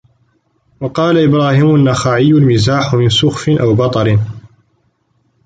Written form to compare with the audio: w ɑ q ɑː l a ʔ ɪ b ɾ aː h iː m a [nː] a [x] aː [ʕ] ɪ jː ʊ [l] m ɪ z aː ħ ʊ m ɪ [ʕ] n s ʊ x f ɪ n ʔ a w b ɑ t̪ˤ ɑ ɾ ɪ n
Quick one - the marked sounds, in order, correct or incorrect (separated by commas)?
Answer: correct, correct, correct, correct, incorrect